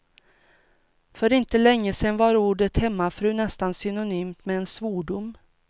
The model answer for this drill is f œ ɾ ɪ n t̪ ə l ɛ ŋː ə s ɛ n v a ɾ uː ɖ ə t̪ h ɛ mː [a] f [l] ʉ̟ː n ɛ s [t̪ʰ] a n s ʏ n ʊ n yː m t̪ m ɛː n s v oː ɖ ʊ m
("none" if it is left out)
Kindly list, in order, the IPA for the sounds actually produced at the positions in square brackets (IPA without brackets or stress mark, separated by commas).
a, ɾ, t̪